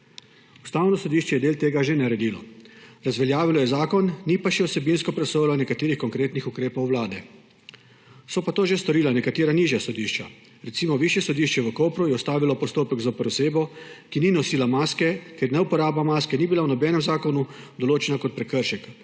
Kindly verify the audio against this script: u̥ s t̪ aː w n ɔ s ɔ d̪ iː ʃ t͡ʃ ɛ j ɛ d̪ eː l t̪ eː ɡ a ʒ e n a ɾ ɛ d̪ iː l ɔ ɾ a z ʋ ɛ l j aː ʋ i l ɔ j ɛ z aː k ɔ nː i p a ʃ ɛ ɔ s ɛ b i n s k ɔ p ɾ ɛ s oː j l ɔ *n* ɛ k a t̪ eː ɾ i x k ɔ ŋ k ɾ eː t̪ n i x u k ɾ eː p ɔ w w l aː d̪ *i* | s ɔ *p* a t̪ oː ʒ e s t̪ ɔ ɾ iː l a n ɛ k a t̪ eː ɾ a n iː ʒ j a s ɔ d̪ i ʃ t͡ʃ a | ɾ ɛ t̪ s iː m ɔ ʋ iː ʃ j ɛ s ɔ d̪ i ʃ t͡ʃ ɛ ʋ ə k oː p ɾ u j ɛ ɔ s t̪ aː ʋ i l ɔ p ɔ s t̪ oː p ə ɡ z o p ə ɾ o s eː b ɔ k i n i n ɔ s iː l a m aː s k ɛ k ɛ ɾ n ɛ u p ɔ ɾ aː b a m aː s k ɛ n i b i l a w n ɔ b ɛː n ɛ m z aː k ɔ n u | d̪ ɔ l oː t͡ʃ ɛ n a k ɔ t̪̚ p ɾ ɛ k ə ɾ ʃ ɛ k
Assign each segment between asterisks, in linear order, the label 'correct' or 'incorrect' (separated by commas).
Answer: correct, incorrect, correct